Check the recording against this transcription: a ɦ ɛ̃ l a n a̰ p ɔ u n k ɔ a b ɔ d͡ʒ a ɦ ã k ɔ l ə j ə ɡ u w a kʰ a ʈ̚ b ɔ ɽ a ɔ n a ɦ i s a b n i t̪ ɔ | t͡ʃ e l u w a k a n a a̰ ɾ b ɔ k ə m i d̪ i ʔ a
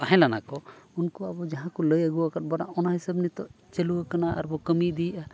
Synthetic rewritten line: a ɦ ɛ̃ l a n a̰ k ɔ u n k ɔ a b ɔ d͡ʒ a ɦ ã k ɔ l ə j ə ɡ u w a k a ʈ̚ b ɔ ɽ a ɔ n a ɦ i s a b n i t̪ ɔ | t͡ʃ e l u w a k a n a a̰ ɾ b ɔ k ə m i d̪ i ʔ a